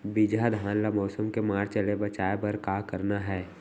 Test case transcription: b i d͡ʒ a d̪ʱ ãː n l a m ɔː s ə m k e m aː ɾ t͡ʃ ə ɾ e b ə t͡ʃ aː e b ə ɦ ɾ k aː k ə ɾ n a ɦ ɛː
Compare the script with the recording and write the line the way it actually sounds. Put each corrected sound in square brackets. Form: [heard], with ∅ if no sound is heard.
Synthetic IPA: b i d͡ʒ a d̪ʱ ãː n l a m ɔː s ə m k e m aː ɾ t͡ʃ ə [l] e b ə t͡ʃ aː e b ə [∅] ɾ k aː k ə ɾ n a ɦ ɛː